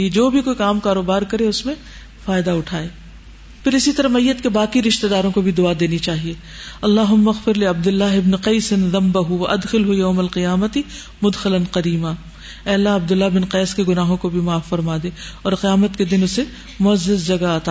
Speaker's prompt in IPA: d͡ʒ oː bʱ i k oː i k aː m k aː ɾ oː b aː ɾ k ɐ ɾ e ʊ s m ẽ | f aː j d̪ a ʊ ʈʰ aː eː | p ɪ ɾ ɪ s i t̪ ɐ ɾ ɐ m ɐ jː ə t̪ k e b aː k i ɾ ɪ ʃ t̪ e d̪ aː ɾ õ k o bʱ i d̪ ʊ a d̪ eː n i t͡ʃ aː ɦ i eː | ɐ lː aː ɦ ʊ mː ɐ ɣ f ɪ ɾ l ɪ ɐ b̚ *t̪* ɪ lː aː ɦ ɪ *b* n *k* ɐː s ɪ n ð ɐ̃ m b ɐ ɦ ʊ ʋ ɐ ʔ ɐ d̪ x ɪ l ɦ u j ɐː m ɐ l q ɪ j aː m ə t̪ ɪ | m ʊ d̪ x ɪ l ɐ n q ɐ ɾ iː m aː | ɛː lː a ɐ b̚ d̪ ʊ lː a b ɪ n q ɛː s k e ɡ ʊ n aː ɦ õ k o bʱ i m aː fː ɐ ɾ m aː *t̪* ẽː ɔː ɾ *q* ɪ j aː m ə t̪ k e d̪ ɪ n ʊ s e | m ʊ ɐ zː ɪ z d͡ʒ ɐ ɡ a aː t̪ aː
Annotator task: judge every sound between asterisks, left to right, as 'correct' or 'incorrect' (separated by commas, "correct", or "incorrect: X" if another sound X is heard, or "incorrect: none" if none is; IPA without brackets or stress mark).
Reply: incorrect: d̪, correct, incorrect: q, incorrect: d̪, correct